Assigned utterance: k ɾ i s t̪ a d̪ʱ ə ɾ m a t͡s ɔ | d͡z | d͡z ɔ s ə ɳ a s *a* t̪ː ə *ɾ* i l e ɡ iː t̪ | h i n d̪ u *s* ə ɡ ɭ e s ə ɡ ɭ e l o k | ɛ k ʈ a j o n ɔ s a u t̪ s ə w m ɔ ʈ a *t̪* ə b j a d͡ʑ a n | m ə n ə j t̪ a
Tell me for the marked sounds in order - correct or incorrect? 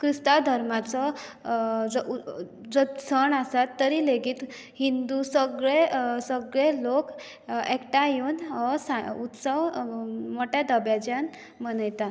correct, correct, correct, incorrect: d̪

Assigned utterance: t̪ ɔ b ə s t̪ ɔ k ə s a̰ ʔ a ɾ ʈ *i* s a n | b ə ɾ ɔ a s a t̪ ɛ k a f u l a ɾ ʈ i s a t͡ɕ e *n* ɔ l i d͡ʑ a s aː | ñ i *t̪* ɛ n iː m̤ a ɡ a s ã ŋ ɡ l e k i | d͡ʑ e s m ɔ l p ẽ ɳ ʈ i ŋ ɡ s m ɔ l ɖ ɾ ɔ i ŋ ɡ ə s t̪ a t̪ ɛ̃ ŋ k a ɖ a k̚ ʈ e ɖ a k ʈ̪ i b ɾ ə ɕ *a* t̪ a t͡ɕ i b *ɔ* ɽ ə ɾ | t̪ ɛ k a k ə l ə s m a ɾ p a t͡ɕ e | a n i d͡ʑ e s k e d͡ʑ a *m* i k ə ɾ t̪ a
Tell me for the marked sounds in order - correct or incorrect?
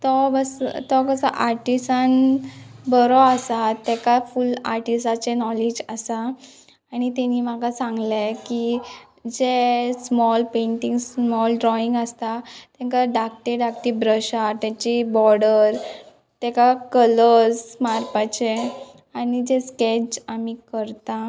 correct, correct, correct, correct, correct, correct

